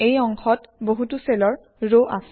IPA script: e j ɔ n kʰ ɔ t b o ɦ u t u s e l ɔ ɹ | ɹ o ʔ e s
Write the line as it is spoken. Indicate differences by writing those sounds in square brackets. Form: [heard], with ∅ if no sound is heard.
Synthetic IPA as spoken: e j ɔ [ŋ] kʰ ɔ t b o ɦ u t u s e l ɔ ɹ | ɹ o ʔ [a] s

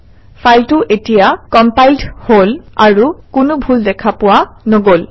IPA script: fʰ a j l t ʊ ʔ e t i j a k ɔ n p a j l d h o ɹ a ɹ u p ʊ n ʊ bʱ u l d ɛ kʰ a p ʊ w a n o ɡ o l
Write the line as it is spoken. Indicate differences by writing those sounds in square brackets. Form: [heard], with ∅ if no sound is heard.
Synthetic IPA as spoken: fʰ a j l t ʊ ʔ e t i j a k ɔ [m] p a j l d h o [l] a ɹ u [k] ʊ n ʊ bʱ u l d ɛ kʰ a p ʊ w a n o ɡ o l

